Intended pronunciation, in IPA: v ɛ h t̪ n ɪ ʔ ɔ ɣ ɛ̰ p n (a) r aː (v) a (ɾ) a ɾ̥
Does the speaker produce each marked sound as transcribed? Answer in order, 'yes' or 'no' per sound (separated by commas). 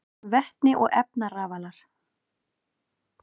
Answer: yes, yes, no